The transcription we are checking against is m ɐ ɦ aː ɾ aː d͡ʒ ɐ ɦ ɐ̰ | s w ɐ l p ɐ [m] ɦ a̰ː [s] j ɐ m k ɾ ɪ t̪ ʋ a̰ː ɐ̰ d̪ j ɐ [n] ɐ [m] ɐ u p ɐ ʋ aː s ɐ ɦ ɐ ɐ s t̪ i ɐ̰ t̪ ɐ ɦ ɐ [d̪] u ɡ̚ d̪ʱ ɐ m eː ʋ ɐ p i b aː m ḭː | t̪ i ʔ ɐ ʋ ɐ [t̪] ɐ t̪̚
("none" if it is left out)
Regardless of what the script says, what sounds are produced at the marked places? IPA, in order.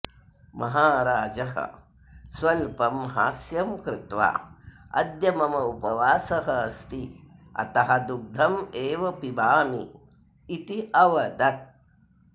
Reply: m, s, m, m, d̪, d̪

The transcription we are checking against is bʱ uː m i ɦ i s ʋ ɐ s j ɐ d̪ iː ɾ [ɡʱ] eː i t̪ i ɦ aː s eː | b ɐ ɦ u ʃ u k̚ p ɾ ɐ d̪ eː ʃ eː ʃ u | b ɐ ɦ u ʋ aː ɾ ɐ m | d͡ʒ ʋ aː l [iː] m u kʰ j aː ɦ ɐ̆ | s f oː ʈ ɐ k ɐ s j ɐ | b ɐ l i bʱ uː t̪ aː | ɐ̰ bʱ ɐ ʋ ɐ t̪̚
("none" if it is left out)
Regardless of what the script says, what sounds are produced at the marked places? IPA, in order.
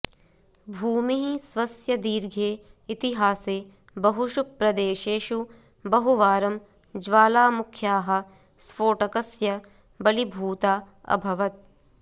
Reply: ɡʱ, aː

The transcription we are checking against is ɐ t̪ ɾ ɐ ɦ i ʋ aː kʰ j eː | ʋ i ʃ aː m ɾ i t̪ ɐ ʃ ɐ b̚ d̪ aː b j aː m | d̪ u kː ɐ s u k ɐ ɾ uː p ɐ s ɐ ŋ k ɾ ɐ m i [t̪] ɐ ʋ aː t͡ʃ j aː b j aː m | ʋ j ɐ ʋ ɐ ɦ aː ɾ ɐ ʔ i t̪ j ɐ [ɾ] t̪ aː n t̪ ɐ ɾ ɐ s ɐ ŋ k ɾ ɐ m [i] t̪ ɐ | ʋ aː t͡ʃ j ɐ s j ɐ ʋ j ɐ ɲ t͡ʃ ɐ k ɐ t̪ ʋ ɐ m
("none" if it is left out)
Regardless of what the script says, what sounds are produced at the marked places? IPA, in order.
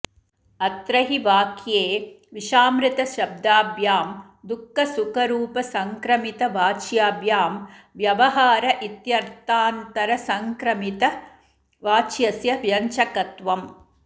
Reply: t̪, ɾ, i

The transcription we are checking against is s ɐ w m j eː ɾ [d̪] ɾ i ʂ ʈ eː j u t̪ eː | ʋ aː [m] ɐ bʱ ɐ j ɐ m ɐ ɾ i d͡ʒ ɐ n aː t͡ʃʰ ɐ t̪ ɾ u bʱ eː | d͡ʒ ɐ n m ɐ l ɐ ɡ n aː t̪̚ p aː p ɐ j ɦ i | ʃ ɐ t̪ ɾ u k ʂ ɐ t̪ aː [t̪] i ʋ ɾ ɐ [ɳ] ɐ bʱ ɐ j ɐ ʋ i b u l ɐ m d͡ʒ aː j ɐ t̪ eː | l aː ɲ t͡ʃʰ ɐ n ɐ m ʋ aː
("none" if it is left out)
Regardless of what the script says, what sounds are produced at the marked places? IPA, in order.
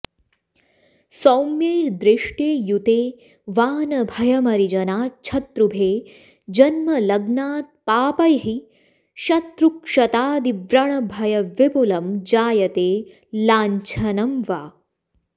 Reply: d̪, n, d̪, ɳ

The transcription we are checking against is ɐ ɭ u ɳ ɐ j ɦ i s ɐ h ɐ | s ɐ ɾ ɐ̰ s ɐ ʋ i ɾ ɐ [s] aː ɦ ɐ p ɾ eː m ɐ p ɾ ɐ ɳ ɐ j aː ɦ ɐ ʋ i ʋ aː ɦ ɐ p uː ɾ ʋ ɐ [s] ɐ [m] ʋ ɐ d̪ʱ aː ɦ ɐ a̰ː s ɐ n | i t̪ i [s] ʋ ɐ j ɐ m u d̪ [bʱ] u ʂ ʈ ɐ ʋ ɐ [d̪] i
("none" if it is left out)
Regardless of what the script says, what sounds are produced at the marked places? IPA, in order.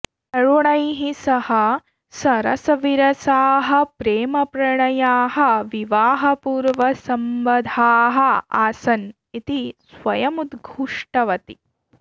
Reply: s, s, m, s, ɡʱ, t̪

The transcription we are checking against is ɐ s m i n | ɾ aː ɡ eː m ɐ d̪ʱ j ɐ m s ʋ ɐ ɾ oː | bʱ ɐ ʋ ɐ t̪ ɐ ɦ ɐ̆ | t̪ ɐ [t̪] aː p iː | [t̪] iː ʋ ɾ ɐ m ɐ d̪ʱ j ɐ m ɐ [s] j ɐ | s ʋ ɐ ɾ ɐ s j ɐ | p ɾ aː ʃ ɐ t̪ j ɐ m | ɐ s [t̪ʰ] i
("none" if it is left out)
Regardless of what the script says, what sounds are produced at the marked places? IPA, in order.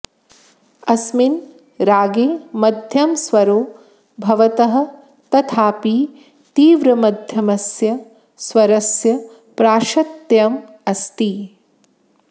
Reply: t̪ʰ, t̪, s, t̪

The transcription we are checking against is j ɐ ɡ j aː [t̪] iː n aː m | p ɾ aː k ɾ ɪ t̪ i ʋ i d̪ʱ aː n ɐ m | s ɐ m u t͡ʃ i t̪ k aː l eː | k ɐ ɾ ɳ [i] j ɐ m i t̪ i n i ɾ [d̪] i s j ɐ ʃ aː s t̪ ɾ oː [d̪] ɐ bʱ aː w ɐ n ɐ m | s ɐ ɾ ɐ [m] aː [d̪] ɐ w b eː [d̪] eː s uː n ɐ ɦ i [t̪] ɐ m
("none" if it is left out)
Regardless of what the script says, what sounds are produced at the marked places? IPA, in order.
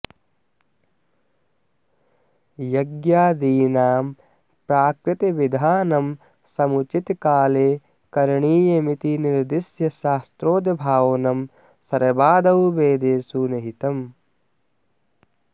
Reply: d̪, iː, d̪, d̪, b, d̪, d̪, t̪

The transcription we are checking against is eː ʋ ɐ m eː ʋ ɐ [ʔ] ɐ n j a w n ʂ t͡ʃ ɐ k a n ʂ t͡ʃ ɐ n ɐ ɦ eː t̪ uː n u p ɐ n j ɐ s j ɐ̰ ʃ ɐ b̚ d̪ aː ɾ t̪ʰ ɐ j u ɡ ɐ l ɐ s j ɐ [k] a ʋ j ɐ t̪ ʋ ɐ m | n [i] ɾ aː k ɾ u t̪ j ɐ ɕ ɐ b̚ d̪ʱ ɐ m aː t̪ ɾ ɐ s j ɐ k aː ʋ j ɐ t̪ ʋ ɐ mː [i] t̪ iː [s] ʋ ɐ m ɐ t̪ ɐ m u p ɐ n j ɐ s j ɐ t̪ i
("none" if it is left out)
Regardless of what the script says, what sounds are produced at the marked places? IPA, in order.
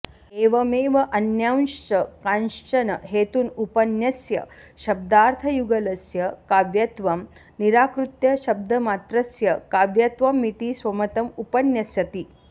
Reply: ʔ, k, i, i, s

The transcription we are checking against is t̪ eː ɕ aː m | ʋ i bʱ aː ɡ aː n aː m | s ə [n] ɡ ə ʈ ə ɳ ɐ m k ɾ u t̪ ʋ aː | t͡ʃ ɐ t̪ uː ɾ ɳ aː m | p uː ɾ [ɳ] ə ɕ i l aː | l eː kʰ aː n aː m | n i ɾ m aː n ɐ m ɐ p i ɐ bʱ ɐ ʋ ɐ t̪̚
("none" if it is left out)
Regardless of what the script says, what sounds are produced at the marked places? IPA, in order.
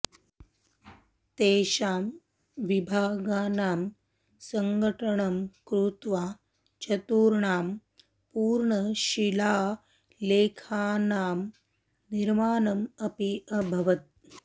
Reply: ŋ, ɳ

